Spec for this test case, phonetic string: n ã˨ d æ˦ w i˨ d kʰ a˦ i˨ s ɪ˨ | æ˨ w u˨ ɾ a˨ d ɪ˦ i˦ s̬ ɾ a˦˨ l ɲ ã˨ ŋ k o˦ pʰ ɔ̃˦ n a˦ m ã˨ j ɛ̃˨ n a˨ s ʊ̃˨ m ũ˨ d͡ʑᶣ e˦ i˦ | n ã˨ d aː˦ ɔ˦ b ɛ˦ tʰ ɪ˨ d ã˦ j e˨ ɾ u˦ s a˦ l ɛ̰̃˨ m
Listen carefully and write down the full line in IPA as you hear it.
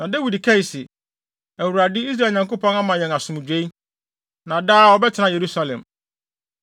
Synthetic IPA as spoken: n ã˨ d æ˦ w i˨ d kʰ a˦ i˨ s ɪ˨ | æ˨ w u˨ ɾ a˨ d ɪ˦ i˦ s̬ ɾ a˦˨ l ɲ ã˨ ŋ k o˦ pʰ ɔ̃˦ n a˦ m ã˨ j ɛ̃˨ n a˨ s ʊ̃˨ m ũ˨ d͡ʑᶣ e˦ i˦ | n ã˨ d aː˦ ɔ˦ b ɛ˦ tʰ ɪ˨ n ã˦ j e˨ ɾ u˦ s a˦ l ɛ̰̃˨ m